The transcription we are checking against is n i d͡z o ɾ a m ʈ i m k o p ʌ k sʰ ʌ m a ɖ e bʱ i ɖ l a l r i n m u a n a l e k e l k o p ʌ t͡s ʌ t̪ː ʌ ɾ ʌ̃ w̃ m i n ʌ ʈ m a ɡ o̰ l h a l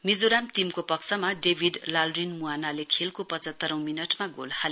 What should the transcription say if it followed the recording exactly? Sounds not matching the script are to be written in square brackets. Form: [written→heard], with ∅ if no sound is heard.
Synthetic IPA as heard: [n→m] i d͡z o ɾ a m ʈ i m k o p ʌ k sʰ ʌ m a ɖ e bʱ i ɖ l a l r i n m u a n a l e [k→kʰ] e l k o p ʌ t͡s ʌ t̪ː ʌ ɾ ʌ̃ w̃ m i n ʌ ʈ m a ɡ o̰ l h a l